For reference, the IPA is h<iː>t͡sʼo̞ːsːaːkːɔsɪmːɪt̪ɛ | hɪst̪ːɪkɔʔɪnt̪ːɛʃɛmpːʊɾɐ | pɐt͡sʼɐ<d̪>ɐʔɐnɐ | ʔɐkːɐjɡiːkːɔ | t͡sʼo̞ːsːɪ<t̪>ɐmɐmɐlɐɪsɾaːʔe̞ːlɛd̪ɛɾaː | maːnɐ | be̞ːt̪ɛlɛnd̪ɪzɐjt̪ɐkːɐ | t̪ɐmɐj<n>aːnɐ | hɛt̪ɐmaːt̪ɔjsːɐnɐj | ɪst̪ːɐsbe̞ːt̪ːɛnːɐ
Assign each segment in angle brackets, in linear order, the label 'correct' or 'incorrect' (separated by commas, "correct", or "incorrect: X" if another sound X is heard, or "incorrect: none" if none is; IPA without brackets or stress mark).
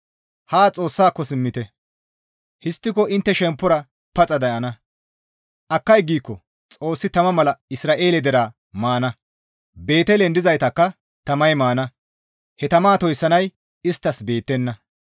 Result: incorrect: aː, correct, correct, incorrect: m